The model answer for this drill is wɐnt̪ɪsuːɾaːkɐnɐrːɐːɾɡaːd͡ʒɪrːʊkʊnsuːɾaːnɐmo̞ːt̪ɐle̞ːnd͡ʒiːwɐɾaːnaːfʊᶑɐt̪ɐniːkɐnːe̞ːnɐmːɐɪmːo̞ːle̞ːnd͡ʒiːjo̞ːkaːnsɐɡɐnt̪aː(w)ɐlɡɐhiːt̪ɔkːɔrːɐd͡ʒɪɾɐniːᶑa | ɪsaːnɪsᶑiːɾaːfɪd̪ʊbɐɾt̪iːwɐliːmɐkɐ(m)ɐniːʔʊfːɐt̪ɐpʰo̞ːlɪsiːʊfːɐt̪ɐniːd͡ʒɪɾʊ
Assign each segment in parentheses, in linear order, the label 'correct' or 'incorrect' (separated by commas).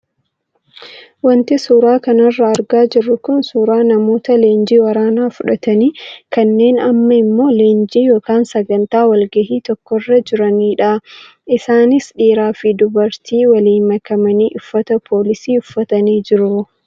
correct, correct